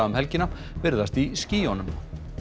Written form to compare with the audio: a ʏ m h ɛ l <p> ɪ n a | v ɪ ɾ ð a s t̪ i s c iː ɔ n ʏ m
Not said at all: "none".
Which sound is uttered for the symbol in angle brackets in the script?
c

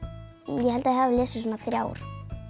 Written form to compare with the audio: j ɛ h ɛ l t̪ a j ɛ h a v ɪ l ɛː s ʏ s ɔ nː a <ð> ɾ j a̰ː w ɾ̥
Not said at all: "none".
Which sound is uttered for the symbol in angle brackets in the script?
θ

